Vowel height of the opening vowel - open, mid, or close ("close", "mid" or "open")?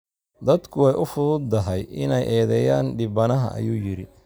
open